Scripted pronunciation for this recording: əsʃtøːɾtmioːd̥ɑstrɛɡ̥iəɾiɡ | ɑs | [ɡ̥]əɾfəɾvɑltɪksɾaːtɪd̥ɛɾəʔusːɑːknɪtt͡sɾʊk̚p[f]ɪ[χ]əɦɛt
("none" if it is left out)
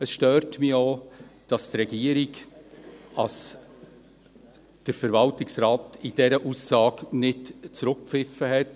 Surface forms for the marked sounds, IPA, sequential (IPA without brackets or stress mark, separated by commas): d̥, f, f